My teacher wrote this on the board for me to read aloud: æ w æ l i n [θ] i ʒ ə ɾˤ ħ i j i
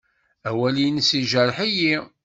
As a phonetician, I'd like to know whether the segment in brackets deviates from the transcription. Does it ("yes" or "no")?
yes